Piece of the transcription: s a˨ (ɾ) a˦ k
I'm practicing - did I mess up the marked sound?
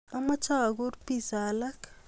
yes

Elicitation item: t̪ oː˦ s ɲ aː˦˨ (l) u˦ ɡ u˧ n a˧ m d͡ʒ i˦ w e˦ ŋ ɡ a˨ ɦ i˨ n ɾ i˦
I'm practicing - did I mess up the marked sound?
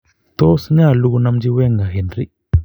no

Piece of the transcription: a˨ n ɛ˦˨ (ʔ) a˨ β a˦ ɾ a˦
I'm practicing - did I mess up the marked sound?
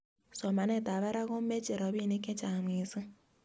yes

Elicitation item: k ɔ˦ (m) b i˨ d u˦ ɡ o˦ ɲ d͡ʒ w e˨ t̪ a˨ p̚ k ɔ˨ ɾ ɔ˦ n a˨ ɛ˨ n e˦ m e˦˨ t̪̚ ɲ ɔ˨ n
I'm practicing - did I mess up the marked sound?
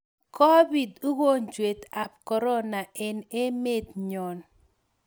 yes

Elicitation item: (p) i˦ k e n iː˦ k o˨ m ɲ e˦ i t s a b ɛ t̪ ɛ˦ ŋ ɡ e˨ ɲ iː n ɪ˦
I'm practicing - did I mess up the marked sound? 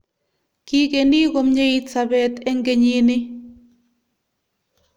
yes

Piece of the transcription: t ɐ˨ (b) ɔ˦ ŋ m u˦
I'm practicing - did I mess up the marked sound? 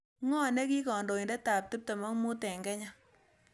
yes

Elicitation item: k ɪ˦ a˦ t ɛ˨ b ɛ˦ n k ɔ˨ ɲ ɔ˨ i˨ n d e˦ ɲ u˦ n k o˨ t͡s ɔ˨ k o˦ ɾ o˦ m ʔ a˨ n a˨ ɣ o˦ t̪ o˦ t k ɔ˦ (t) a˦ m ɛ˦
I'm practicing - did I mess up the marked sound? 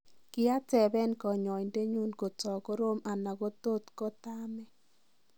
no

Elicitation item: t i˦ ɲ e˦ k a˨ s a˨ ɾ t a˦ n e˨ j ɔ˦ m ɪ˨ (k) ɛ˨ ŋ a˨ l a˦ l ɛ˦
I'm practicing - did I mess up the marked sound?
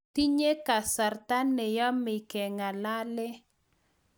no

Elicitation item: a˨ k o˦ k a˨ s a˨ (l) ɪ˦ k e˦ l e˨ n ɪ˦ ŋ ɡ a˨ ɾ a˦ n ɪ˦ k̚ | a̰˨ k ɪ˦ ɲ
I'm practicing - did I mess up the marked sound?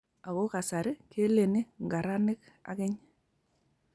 yes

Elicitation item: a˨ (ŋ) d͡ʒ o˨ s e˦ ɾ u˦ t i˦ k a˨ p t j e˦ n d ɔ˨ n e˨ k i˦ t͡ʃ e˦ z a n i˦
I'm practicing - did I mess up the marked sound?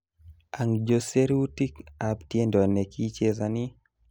no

